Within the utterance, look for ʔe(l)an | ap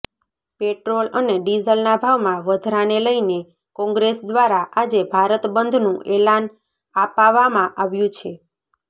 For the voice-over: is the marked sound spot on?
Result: yes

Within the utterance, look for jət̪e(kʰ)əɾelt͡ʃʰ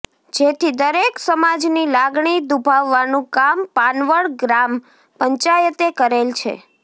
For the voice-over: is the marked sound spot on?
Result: no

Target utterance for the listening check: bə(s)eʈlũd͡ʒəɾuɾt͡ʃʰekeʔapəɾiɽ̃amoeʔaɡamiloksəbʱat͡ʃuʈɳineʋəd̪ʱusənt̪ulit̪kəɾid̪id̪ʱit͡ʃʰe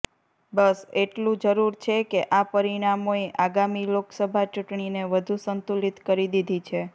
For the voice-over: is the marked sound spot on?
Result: yes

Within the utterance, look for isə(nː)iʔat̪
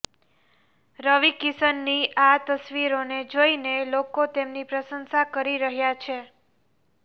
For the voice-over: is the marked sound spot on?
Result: yes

